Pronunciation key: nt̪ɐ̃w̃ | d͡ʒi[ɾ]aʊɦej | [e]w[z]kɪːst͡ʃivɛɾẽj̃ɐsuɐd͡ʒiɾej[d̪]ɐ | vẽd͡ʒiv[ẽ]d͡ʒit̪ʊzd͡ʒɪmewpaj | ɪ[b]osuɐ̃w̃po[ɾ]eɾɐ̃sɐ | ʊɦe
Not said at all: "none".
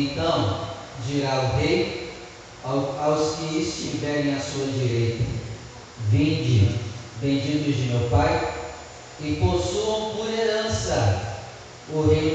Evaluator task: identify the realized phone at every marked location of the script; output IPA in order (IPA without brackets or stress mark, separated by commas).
ɾ, a, s, t̪, ẽ, p, ɾ